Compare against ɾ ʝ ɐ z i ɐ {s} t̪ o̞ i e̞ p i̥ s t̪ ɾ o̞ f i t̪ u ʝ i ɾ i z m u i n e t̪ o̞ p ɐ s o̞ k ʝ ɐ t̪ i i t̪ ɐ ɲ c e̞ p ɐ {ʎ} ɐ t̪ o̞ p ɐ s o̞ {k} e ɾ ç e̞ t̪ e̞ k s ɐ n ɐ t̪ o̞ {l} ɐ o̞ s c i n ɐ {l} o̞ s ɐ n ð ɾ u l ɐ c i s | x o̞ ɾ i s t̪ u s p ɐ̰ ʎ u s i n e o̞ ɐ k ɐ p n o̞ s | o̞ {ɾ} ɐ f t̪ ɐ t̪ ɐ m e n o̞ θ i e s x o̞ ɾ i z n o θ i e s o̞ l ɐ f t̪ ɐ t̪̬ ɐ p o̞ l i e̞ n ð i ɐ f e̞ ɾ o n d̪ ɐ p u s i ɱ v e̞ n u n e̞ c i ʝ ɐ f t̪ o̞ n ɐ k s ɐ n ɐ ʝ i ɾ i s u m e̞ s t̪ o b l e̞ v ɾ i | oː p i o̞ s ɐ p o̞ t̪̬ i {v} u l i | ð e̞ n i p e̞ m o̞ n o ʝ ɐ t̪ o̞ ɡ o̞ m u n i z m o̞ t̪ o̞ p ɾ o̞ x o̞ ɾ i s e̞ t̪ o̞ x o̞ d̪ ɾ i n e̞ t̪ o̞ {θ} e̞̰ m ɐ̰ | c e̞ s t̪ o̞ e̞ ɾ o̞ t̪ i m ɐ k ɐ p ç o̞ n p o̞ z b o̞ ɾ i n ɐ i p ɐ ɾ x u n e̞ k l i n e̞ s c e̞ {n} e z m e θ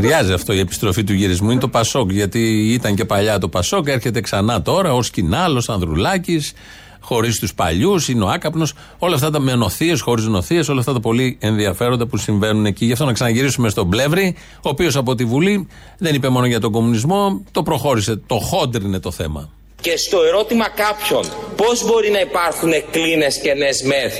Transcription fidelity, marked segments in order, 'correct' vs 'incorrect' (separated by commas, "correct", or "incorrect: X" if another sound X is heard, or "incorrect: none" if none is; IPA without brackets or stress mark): incorrect: f, correct, correct, incorrect: ɾ, correct, incorrect: l, correct, correct, correct